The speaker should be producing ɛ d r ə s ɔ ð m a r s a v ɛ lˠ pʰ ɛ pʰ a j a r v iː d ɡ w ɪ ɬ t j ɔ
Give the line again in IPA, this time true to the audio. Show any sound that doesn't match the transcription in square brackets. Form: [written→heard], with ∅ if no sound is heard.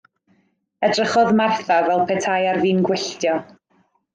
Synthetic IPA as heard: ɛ d r ə [s→χ] ɔ ð m a r [s→θ] a v ɛ lˠ pʰ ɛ [pʰ→tʰ] a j a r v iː [d→n] ɡ w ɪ ɬ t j ɔ

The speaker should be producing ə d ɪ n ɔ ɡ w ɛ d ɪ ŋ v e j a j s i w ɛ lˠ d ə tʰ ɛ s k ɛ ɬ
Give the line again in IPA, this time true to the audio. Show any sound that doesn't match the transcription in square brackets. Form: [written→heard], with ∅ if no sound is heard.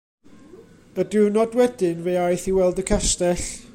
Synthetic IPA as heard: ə d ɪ n ɔ [ɡ→d] w ɛ d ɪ [ŋ→n] v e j a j [s→θ] i w ɛ lˠ d ə [tʰ→kʰ] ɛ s [k→t] ɛ ɬ

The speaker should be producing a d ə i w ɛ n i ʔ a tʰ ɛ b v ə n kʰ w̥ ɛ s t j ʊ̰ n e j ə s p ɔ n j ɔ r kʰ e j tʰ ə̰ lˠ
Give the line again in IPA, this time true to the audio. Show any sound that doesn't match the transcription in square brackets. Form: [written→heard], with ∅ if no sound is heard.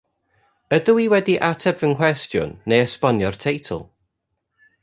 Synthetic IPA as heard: [a→ə] d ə i w ɛ [n→d] i ʔ a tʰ ɛ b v ə n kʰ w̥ ɛ s t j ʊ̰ [n→nː] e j ə s p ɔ n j ɔ r [kʰ→tʰ] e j tʰ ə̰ lˠ

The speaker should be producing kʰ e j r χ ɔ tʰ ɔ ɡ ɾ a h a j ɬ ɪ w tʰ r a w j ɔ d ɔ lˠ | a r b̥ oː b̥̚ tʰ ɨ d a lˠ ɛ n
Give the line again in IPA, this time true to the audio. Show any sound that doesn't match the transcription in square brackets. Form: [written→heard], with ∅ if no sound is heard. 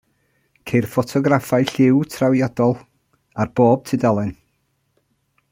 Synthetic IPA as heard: kʰ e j r [χ→f] ɔ tʰ ɔ ɡ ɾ a [h→f] a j ɬ ɪ w tʰ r a w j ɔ d ɔ lˠ | a r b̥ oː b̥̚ tʰ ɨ d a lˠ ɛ n

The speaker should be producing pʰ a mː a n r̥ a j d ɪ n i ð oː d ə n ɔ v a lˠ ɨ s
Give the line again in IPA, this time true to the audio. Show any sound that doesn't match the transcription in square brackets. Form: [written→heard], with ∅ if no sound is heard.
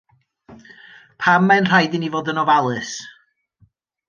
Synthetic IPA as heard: pʰ a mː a n r̥ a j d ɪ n i [ð→v] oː d ə n ɔ v a lˠ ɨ s

